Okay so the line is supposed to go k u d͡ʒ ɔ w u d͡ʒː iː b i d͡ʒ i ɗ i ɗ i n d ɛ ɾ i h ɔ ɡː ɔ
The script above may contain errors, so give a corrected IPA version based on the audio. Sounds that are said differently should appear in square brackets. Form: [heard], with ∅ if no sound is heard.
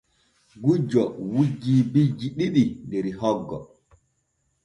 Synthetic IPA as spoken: [ɡ] u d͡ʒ ɔ w u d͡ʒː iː b i d͡ʒ i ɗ i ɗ i n d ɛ ɾ i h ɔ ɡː ɔ